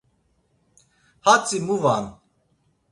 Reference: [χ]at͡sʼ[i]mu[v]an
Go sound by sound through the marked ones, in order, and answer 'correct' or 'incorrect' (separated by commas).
incorrect, correct, correct